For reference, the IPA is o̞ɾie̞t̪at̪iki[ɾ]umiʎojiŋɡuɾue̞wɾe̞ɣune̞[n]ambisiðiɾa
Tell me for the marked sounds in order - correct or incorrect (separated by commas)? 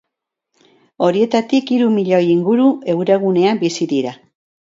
correct, incorrect